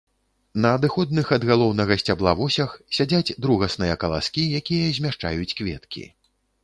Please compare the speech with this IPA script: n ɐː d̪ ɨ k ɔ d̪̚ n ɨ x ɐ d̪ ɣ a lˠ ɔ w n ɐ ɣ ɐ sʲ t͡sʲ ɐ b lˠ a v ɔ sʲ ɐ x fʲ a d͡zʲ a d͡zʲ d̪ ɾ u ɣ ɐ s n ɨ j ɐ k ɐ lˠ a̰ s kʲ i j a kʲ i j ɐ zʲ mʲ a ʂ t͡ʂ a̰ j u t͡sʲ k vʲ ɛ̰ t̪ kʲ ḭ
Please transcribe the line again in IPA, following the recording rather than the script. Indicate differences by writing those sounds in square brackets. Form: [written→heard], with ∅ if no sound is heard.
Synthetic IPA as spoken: n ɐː d̪ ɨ [k→x] ɔ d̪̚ n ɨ x ɐ d̪ ɣ a lˠ ɔ w n ɐ ɣ ɐ sʲ t͡sʲ [ɐ→a] b lˠ a v ɔ sʲ ɐ x [fʲ→sʲ] a d͡zʲ a d͡zʲ d̪ ɾ u ɣ ɐ s n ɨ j ɐ k ɐ lˠ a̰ s kʲ i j a kʲ i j ɐ zʲ mʲ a ʂ t͡ʂ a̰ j u t͡sʲ k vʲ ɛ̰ t̪ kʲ ḭ